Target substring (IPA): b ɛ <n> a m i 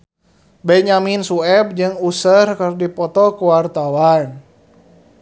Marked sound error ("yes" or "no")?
yes